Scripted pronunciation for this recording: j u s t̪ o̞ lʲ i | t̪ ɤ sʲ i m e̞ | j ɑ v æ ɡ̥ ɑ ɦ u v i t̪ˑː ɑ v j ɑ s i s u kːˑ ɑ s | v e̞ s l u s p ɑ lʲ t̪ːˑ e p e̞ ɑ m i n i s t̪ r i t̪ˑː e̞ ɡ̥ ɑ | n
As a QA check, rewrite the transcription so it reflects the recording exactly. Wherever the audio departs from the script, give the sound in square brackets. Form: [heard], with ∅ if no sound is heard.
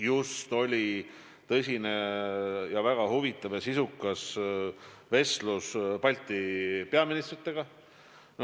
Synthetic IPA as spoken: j u s t̪ o̞ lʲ i | t̪ ɤ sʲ i [n] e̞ | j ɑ v æ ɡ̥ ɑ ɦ u v i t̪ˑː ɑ v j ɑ s i s u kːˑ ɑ s | v e̞ s l u s p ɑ lʲ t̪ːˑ [i] p e̞ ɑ m i n i s t̪ r i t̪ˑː e̞ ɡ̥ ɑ | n